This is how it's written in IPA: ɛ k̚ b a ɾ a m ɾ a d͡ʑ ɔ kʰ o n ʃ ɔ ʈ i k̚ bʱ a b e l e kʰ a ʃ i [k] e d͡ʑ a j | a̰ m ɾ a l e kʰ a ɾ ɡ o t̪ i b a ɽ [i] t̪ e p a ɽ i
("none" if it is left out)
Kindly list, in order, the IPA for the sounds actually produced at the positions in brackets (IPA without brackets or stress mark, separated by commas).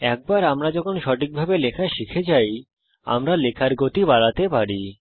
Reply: kʰ, a